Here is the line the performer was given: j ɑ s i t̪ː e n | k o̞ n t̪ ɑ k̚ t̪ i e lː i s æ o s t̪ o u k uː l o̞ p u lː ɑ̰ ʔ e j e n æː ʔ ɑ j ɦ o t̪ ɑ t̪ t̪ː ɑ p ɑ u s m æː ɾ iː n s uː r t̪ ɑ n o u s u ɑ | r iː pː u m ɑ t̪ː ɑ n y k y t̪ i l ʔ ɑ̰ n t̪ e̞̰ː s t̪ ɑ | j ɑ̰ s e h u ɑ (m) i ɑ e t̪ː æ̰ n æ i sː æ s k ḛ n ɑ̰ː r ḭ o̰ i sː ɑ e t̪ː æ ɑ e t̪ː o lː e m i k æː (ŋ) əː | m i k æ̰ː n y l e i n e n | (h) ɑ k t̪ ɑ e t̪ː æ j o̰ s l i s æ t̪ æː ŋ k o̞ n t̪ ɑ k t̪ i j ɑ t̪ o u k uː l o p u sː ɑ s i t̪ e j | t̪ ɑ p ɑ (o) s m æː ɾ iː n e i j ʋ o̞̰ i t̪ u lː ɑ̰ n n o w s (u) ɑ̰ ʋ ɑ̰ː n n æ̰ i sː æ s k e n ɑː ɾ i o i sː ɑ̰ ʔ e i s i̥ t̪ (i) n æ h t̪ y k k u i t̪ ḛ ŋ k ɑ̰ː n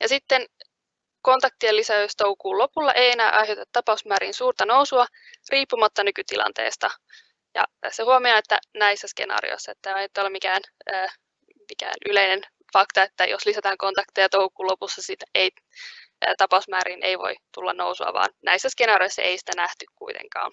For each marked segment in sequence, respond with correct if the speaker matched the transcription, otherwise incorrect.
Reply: correct, incorrect: n, incorrect: f, incorrect: u, correct, incorrect: æ

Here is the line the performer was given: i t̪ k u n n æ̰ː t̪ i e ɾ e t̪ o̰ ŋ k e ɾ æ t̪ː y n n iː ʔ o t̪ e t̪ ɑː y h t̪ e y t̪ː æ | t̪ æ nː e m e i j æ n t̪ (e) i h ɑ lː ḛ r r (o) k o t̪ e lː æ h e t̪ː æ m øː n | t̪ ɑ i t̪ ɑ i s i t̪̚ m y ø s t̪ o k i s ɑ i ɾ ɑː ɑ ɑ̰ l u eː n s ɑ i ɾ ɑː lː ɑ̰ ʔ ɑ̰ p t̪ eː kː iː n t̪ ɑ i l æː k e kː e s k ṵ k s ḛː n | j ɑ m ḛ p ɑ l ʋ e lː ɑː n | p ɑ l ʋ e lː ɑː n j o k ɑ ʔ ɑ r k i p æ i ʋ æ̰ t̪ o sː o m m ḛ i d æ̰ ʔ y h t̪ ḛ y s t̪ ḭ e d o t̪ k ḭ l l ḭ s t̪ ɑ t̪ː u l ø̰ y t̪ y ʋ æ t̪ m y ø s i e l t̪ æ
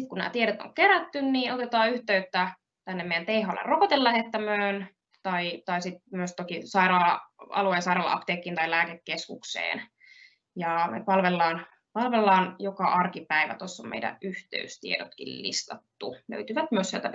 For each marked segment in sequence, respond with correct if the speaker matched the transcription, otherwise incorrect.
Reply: correct, correct

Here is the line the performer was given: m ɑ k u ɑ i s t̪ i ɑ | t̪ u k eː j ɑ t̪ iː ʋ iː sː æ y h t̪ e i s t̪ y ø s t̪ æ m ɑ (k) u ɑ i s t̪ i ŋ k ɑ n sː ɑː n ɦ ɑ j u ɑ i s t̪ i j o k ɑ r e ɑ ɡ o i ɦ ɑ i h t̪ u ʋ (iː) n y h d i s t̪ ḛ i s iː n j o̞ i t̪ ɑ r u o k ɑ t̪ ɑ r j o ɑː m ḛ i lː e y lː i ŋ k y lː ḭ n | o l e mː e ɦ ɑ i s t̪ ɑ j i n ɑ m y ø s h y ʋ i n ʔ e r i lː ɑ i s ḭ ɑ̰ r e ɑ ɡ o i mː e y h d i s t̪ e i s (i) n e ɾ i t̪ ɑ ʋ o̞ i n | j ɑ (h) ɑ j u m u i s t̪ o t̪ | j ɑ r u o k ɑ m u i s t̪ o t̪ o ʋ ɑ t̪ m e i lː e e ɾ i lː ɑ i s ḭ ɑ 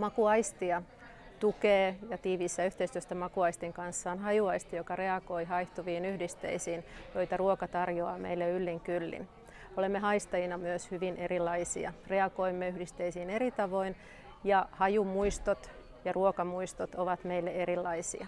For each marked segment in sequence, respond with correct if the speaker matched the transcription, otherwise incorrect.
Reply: correct, correct, incorrect: iː, correct

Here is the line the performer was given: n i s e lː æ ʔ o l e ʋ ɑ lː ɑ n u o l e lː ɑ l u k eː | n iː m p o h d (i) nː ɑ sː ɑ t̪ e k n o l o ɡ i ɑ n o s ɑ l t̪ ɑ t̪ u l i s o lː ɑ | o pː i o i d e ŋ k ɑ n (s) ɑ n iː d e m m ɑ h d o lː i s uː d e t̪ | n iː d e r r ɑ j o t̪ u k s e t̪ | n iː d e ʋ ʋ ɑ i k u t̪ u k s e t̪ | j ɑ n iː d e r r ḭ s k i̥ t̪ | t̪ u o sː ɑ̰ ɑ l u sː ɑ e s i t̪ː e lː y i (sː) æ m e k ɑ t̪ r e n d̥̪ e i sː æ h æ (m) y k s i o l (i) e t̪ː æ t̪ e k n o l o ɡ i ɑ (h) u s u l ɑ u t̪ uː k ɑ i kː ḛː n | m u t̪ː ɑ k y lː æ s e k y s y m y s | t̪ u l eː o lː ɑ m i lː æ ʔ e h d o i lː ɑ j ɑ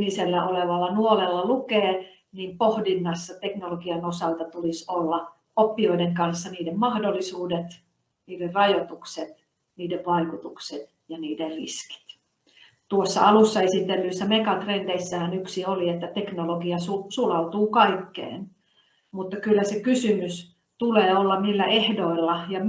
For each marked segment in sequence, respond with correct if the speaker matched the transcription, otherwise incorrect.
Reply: correct, incorrect: sː, correct, incorrect: n, correct, incorrect: s

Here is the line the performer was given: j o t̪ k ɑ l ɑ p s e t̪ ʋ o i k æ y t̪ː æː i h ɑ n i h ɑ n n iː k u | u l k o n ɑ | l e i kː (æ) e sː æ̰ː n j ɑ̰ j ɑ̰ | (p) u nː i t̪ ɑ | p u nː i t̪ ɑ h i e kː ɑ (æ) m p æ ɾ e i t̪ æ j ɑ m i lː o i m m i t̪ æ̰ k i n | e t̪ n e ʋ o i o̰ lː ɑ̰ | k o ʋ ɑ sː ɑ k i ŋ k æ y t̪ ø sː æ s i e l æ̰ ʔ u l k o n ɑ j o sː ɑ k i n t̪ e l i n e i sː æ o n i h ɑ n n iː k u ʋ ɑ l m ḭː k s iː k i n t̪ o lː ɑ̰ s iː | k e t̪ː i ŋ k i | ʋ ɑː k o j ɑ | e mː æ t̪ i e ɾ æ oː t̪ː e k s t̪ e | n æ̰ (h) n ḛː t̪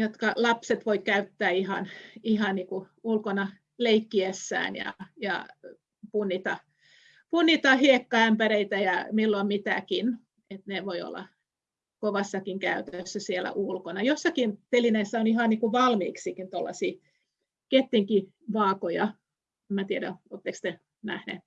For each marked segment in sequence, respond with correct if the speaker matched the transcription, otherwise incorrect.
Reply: incorrect: i, correct, correct, correct

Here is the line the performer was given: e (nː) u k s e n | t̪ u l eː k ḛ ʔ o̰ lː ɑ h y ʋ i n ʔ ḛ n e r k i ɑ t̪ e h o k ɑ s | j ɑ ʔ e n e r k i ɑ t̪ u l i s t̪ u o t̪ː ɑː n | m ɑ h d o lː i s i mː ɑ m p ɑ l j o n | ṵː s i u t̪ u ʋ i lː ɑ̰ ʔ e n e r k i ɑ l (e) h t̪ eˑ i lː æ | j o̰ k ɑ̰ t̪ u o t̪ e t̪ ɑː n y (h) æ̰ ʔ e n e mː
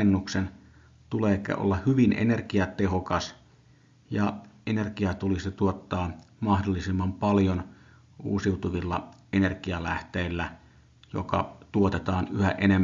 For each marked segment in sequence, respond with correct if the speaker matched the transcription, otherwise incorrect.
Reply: correct, incorrect: æ, correct

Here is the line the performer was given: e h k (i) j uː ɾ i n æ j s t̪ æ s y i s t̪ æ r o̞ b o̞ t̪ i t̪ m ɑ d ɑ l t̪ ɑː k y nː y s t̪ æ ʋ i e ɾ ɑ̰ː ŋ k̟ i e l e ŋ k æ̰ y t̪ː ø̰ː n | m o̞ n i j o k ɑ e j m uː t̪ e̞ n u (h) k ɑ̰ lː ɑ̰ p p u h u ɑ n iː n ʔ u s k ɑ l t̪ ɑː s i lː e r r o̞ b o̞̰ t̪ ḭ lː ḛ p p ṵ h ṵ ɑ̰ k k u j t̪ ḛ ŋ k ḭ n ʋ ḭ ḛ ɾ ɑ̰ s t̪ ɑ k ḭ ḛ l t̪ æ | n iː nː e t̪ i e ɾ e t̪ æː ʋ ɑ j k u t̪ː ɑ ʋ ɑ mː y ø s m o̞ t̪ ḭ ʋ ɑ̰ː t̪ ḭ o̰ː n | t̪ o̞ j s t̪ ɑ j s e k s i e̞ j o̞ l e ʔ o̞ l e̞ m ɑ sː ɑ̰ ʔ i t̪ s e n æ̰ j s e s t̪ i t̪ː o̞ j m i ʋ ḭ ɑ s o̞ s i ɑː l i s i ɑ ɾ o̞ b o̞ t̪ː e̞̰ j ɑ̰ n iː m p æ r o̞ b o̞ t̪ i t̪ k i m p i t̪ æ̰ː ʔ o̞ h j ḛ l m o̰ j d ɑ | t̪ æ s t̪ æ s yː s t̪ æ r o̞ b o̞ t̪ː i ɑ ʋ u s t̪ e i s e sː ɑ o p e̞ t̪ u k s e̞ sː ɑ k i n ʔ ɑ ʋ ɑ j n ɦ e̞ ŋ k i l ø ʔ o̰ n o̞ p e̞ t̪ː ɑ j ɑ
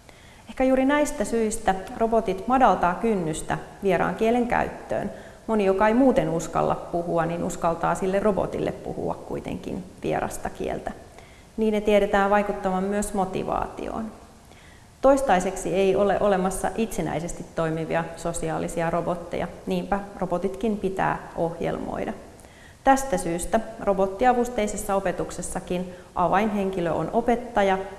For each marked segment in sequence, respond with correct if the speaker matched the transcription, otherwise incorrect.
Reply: incorrect: æ, incorrect: s

